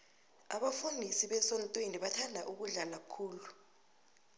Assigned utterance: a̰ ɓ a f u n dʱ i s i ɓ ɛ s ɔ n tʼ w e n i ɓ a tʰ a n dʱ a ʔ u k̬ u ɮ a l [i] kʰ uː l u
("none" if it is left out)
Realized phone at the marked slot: a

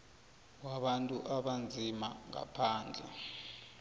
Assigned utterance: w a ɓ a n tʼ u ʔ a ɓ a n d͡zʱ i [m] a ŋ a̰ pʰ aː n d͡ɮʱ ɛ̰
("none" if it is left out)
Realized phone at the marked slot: m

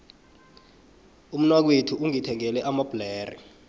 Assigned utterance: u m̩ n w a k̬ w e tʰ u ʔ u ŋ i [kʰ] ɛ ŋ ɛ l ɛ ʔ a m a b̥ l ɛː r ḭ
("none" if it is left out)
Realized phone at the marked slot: tʰ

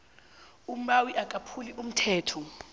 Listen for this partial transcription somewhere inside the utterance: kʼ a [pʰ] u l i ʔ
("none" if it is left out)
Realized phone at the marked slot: pʰ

